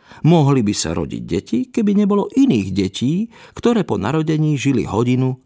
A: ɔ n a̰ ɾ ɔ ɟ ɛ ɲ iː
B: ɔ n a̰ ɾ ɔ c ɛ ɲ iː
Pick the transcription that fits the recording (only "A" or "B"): A